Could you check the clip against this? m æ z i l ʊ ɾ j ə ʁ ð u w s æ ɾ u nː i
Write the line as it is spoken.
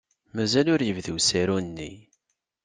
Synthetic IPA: m æ z æ l ʊ ɾ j ə v ð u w s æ ɾ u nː i

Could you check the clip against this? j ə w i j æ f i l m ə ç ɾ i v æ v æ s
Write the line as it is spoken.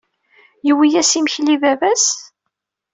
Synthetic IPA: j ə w i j æ s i m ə ç l i v æ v æ s

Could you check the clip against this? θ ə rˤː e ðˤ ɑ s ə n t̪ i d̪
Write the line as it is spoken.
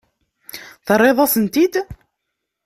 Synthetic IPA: θ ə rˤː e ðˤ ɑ s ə n t̪ i d̪

